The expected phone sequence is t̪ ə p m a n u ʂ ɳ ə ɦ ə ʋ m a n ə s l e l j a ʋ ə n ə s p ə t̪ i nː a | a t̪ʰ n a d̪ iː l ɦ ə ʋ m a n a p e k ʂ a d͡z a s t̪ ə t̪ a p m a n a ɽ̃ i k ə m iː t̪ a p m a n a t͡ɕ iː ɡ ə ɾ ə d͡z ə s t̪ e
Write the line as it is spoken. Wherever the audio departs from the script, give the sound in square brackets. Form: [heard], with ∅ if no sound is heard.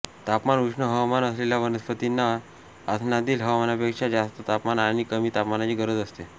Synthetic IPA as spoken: t̪ [a] p m a n u ʂ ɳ ə ɦ ə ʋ m a n ə s l e l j a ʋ ə n ə s p ə t̪ i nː a | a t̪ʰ n a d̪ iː l ɦ ə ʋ m a n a p e k ʂ a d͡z a s t̪ ə t̪ a p m a n a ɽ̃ i k ə m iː t̪ a p m a n a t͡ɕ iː ɡ ə ɾ ə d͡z ə s t̪ e